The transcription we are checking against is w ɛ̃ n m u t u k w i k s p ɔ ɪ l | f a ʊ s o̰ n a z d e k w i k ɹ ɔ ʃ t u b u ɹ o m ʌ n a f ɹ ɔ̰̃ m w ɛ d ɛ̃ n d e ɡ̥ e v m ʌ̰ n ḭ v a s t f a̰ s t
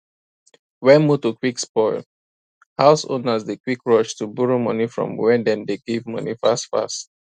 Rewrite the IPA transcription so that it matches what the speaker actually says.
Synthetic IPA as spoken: w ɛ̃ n m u t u k w i k s p ɔ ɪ l | h a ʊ s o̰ n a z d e k w i k ɹ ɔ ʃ t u b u ɹ o m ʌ n i f ɹ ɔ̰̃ m w ɛ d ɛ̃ n d e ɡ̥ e v m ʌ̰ n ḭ f a s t f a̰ s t